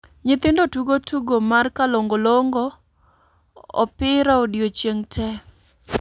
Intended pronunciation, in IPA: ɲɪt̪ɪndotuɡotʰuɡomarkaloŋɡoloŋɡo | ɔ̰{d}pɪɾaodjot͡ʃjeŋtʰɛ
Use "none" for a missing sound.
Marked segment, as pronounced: none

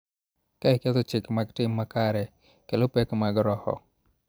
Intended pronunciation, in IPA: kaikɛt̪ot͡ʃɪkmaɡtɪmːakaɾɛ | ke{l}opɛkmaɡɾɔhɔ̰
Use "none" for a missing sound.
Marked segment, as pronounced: l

